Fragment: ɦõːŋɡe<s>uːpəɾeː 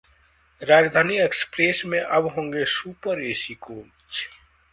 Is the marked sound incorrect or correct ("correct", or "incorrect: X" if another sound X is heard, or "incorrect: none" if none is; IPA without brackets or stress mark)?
correct